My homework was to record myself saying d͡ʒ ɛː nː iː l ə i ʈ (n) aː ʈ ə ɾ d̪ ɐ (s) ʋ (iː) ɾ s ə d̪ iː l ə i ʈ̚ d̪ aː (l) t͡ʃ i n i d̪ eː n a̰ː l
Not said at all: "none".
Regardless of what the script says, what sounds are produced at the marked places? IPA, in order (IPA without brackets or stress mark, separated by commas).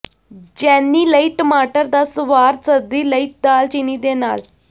m, s, aː, l